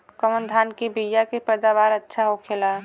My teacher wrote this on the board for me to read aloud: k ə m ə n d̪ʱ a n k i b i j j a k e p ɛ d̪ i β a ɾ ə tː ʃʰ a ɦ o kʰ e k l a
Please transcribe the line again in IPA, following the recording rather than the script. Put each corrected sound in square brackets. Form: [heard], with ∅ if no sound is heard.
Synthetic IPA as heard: k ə m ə n d̪ʱ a n k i b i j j a k e p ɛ d̪ [a] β a ɾ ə tː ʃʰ a ɦ o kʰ e [∅] l a

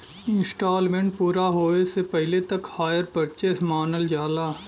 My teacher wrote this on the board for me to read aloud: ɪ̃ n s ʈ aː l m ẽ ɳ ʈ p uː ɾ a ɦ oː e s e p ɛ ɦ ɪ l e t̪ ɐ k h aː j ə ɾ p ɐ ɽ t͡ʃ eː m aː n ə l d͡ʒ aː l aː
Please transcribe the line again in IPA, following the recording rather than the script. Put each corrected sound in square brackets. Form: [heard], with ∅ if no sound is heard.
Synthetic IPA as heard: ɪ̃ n s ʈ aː l m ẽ ɳ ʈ p uː ɾ a ɦ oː e s e p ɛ ɦ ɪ l e t̪ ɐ k h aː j ə ɾ p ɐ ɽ t͡ʃ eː m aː n ə l d͡ʒ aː l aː

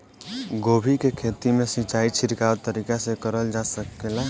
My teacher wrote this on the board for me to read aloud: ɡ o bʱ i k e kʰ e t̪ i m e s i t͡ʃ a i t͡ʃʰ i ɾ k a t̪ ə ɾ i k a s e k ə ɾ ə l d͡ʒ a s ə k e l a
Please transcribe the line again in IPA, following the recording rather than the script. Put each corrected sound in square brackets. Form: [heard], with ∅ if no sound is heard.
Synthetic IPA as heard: ɡ o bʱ i k e kʰ e t̪ i m e s i t͡ʃ a i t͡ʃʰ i ɾ k a t̪ ə ɾ i k a s e k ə ɾ ə l d͡ʒ a s ə k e l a

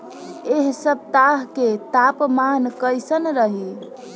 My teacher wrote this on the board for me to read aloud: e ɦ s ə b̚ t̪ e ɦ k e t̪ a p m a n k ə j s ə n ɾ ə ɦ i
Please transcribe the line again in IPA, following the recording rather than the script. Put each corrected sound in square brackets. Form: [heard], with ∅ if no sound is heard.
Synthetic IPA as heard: e ɦ s ə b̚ t̪ [a] ɦ k e t̪ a p m a n k ə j s ə n ɾ ə ɦ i

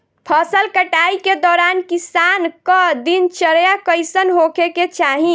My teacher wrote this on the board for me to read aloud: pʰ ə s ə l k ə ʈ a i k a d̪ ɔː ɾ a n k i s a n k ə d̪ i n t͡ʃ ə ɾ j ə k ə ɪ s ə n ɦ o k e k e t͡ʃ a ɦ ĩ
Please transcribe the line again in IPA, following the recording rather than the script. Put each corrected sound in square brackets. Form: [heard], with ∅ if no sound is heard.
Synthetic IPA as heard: pʰ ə s ə l k ə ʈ a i k [e] d̪ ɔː ɾ a n k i s a n k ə d̪ i n t͡ʃ ə ɾ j [a] k ə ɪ s ə n ɦ o k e k e t͡ʃ a ɦ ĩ

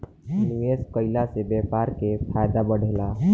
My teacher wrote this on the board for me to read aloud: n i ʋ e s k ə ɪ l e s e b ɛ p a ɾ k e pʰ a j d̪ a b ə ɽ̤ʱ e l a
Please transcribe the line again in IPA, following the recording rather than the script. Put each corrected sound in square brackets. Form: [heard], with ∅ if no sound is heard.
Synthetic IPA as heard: n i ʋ e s k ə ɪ l [a] s e b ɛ p a ɾ k e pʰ a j d̪ a b ə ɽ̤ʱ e l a

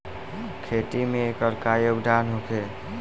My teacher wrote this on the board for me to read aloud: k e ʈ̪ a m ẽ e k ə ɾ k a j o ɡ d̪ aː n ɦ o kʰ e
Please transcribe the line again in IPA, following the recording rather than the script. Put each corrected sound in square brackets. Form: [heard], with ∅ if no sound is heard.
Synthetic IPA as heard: [kʰ] e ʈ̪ [i] m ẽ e k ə ɾ k a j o ɡ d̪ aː n ɦ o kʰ e

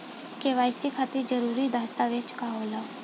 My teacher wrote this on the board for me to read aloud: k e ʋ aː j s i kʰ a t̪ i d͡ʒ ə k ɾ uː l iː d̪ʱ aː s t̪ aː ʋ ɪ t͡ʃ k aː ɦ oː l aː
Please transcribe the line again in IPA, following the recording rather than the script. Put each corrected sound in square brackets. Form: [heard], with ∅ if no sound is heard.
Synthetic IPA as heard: k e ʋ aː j s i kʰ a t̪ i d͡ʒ ə [∅] ɾ uː [ɾ] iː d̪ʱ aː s t̪ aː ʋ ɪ t͡ʃ k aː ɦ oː l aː

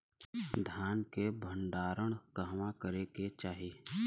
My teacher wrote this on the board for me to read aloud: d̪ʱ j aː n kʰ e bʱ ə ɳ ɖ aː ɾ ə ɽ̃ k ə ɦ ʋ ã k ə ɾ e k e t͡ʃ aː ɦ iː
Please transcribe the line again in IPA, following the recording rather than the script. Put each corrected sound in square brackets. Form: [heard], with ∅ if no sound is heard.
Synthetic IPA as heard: d̪ʱ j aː n [k] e bʱ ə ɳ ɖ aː ɾ ə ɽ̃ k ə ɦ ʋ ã k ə ɾ e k e t͡ʃ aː ɦ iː

